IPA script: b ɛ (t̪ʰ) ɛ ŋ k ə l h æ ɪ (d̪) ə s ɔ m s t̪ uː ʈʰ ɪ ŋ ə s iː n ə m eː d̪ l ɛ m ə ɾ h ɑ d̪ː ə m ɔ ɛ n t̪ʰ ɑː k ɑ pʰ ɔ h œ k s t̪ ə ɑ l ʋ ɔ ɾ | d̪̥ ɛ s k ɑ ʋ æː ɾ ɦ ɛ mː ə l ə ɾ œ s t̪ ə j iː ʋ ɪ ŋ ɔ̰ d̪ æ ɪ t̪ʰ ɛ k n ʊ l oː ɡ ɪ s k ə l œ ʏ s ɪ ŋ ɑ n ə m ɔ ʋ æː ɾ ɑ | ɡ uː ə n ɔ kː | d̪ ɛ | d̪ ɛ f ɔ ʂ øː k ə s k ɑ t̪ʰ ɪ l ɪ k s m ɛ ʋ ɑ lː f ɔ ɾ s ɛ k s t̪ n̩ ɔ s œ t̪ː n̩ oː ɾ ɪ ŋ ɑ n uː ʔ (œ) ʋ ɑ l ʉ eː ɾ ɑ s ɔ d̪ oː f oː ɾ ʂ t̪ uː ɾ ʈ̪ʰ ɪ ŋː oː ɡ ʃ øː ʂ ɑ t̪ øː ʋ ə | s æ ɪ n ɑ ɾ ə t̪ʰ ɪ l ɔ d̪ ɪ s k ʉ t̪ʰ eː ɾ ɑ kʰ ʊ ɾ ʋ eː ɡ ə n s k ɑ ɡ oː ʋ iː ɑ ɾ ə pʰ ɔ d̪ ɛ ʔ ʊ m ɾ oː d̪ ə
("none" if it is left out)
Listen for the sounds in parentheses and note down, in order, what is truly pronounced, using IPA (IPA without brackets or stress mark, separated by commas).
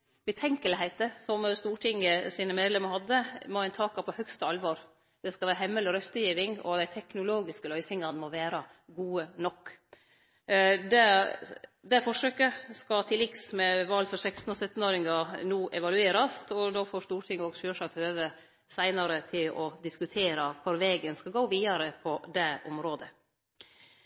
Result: t̪ʰ, t̪, ɛ